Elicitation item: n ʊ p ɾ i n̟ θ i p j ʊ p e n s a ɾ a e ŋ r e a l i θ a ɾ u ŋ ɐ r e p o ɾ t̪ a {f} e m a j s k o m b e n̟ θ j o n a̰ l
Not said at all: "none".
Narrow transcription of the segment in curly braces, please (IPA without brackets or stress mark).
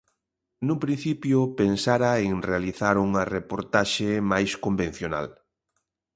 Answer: ʃ